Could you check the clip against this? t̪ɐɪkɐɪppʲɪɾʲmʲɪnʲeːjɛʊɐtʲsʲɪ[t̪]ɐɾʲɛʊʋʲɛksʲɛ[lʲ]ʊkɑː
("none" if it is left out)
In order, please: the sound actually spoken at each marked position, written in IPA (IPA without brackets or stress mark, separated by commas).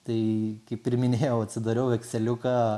d̪, lʲ